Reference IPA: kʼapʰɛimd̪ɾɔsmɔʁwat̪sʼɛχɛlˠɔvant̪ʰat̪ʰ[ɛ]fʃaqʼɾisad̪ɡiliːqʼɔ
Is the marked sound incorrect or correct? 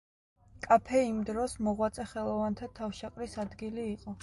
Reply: incorrect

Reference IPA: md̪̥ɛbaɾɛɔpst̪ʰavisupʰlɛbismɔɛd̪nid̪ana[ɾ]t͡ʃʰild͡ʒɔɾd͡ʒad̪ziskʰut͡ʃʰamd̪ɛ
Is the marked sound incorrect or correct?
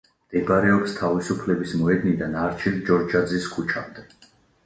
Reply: correct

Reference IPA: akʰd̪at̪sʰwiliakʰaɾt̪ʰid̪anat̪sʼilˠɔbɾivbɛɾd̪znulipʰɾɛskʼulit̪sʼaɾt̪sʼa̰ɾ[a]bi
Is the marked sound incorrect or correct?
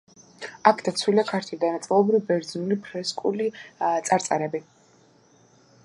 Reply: incorrect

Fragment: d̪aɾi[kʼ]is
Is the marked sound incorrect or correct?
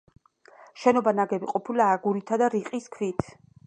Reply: incorrect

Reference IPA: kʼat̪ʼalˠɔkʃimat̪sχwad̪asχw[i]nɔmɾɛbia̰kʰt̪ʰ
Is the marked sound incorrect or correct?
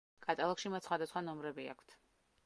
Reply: incorrect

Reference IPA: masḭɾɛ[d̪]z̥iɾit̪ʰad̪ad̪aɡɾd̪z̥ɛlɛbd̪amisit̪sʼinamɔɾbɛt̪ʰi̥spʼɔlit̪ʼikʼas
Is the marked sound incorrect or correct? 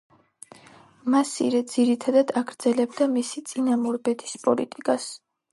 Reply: correct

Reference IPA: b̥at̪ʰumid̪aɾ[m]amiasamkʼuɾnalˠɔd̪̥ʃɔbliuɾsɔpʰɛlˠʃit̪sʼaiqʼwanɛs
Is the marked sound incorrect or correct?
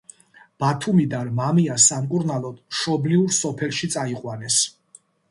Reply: correct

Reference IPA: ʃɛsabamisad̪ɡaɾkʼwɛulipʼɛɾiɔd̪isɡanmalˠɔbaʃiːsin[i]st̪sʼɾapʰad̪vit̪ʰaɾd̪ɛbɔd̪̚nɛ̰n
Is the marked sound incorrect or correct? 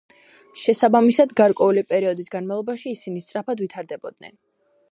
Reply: correct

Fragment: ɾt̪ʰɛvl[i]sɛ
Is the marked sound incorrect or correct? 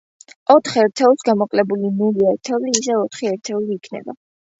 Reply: incorrect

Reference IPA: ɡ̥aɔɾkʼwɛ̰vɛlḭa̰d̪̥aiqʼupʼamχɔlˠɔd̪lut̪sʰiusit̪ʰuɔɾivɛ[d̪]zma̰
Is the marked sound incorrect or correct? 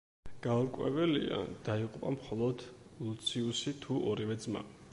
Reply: correct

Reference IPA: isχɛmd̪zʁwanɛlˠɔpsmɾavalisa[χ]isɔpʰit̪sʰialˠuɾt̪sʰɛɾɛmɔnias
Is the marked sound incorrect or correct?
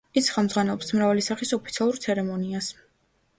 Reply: correct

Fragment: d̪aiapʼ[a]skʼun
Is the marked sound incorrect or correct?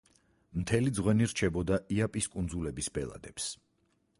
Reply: incorrect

